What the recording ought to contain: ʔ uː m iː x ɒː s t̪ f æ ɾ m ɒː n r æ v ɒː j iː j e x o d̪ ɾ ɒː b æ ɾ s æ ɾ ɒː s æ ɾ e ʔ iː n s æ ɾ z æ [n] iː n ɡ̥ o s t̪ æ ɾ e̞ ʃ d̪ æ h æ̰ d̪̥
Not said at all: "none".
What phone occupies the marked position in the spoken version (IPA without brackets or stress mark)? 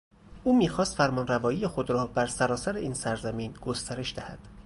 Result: m